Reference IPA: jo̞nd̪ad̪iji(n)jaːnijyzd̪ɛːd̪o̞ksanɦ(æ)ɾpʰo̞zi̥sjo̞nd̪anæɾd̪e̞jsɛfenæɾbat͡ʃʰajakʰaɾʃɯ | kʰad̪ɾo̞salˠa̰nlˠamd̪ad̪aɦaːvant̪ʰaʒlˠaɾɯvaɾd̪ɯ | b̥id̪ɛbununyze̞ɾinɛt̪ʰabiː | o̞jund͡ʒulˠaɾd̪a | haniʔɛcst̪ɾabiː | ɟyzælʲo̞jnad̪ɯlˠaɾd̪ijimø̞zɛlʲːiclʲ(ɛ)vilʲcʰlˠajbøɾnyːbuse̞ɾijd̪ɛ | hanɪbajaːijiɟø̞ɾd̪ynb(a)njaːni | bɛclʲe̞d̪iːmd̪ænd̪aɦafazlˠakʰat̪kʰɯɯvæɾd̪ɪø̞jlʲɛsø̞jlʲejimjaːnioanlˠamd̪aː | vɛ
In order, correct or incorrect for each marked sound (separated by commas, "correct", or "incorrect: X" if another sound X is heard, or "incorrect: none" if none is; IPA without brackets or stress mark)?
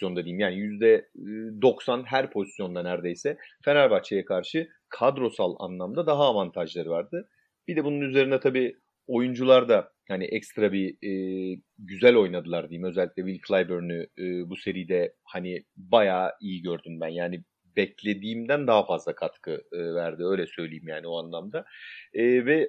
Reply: incorrect: m, correct, correct, incorrect: æ